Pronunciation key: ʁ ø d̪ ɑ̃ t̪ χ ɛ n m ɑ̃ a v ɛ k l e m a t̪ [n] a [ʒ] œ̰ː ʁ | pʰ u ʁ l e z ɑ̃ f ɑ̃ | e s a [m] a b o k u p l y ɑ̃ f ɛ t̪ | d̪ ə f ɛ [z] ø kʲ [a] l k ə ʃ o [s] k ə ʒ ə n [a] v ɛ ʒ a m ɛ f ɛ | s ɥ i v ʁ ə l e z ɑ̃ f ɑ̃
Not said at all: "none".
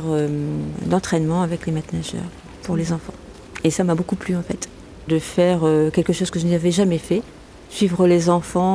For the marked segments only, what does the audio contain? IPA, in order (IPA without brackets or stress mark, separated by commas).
n, ʒ, m, ʁ, ɛ, z, a